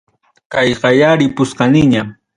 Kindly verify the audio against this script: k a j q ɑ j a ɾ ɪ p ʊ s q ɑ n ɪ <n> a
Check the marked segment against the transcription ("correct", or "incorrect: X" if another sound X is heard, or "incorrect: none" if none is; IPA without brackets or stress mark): incorrect: ɲ